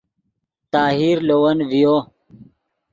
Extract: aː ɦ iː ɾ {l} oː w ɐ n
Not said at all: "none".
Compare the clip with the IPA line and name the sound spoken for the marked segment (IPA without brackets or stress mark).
l